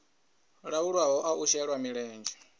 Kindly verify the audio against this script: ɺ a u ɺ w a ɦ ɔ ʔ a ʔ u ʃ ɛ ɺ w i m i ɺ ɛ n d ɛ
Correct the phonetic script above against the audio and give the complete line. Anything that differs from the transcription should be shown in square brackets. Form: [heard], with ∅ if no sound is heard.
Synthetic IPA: ɺ a u ɺ w a ɦ ɔ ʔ a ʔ u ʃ ɛ ɺ w [a] m i ɺ [ɛː] n [d͡ʒ] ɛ